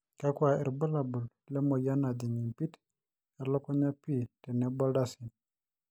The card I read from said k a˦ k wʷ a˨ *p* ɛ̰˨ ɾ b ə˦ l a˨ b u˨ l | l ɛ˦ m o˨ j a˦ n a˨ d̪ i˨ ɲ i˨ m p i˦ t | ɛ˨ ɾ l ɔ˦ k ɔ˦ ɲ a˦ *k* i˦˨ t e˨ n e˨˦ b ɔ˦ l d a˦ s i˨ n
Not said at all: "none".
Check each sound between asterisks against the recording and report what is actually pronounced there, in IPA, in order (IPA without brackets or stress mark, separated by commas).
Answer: none, p